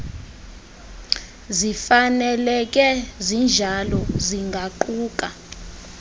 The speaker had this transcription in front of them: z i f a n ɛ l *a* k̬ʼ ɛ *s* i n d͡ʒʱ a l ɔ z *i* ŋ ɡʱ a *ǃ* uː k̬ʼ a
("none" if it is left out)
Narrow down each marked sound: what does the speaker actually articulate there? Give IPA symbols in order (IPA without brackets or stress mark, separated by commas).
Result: ɛ, z, i, ǃ